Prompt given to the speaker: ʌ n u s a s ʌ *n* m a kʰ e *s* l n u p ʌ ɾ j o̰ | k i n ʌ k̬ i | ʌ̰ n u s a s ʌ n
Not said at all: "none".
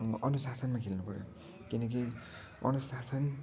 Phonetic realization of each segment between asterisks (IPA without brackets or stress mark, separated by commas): n, none